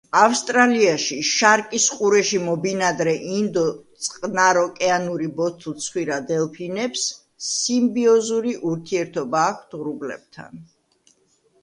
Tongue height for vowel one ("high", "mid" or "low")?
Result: low